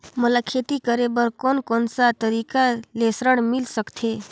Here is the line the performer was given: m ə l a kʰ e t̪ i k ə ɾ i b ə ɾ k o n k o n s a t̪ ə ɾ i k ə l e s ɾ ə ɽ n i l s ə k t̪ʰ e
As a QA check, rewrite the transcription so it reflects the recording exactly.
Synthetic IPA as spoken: m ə l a kʰ e t̪ i k ə ɾ e b ə ɾ k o n k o n s a t̪ ə ɾ i k a l e s ɾ ə ɽ m i l s ə k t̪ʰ e